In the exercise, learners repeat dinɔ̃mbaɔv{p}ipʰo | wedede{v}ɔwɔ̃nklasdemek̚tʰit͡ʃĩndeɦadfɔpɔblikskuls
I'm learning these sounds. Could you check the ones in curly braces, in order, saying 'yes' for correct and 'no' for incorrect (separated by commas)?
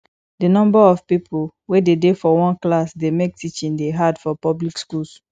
yes, no